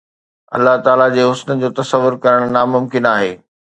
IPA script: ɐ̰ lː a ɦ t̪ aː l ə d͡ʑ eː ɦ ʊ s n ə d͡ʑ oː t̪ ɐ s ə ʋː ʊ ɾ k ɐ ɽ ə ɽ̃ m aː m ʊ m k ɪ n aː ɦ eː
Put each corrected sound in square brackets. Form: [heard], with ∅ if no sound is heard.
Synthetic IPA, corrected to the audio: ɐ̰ lː a ɦ t̪ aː l [a] d͡ʑ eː ɦ ʊ s n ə d͡ʑ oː t̪ ɐ s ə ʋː ʊ ɾ k ɐ [ɾ] ə ɽ̃ [n] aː m ʊ m k ɪ n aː ɦ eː